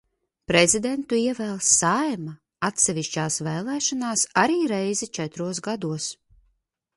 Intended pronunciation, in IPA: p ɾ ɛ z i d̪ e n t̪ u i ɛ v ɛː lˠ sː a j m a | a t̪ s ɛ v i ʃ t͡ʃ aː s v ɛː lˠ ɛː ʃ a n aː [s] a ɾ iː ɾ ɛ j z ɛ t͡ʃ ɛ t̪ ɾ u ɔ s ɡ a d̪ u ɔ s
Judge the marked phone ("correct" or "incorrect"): correct